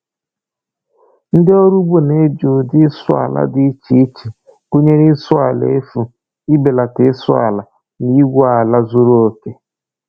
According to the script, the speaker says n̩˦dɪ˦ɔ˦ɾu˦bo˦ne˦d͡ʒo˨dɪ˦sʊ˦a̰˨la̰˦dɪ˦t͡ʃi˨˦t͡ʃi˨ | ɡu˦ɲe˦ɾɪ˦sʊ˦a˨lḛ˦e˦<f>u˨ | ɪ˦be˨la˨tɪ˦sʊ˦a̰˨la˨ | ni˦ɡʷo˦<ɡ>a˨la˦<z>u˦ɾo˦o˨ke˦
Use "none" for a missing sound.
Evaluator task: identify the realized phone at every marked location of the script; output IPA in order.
f, none, z

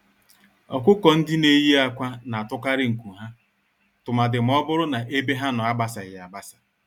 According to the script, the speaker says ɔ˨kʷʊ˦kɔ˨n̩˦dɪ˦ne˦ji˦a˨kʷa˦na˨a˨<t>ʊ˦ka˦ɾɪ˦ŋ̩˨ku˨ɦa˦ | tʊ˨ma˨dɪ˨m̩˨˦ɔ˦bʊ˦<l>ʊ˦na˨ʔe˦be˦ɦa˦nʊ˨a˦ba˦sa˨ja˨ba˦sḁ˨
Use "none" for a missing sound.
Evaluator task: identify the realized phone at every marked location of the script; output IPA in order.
t, ɾ

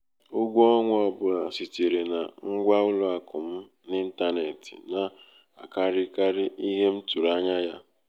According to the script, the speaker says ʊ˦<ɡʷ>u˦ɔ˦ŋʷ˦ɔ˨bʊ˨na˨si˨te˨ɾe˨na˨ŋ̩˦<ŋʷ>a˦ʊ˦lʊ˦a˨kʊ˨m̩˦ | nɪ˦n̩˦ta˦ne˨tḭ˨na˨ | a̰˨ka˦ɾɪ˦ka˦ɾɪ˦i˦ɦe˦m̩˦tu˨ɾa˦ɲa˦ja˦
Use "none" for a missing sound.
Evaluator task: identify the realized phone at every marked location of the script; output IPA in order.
ɡʷ, ɡʷ

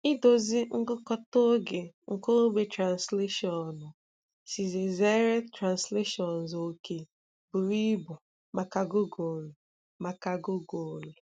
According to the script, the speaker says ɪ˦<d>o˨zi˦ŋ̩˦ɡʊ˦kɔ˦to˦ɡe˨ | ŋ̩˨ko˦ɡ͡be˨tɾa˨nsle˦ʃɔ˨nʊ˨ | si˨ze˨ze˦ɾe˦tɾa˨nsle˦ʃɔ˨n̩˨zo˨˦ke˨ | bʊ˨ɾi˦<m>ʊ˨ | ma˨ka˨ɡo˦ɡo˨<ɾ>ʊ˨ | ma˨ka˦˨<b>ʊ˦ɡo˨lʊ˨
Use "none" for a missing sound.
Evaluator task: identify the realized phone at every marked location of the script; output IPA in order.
d, b, l, ɡ

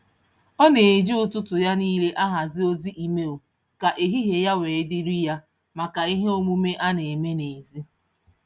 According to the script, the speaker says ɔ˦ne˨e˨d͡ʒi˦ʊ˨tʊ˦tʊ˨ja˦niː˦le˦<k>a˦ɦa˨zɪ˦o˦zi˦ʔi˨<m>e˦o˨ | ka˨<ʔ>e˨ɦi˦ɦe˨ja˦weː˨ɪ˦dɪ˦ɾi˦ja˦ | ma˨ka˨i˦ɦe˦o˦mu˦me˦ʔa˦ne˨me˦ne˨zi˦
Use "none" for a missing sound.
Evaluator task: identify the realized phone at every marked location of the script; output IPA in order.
ʔ, m, ʔ

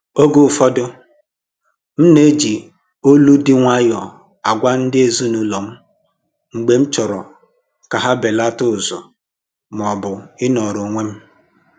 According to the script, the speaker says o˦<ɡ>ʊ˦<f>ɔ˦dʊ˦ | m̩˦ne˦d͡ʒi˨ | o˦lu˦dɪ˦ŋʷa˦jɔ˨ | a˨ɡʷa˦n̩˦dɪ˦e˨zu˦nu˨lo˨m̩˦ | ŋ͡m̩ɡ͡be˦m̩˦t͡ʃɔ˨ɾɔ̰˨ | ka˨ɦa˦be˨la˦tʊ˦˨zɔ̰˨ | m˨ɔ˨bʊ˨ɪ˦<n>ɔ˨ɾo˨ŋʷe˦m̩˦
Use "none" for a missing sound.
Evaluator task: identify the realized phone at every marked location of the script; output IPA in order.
ɡ, f, n

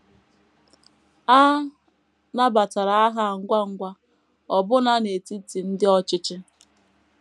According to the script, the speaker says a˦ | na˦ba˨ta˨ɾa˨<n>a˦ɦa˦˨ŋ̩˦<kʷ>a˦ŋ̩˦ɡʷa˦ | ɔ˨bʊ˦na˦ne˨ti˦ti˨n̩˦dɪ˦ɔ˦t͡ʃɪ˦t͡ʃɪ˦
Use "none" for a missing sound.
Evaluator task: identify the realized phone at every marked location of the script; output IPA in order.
none, ɡʷ

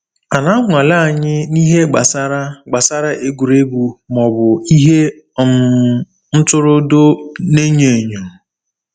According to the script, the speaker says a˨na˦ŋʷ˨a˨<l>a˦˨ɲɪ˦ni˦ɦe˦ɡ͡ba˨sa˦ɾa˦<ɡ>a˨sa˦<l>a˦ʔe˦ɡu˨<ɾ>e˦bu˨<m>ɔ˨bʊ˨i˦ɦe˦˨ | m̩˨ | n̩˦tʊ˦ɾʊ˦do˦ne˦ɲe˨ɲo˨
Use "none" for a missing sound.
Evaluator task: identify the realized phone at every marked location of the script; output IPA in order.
l, ɡ͡b, ɾ, ɾ, m

